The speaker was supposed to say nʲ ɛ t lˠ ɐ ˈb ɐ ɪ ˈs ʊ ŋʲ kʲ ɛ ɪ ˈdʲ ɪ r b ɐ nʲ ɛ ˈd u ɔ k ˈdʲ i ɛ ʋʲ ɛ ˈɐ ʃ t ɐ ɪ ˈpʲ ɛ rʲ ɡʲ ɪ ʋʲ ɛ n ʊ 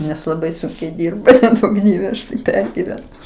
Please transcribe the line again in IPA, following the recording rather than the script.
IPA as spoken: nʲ ɛ s lˠ ɐ ˈb ɐ ɪ ˈs ʊ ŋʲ kʲ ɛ ɪ ˈdʲ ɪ r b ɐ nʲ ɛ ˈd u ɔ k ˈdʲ i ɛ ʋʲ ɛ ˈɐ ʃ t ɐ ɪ ˈpʲ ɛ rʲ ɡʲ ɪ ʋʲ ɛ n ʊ